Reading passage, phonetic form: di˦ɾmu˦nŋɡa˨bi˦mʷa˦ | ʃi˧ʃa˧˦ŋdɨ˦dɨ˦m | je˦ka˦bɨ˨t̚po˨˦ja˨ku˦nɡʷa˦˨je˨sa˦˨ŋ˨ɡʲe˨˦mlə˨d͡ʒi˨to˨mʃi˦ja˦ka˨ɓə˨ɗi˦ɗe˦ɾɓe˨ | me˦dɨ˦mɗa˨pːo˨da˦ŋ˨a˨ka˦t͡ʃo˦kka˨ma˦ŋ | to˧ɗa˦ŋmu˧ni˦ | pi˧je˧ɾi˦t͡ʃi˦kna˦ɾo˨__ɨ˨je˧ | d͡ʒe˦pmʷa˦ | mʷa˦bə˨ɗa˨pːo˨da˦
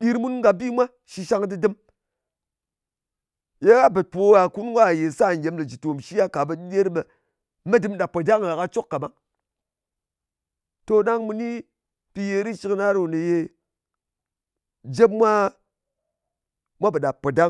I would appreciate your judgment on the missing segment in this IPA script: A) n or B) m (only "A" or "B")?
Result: A